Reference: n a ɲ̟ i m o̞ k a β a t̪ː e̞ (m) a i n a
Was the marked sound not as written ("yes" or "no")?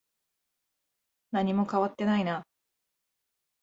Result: yes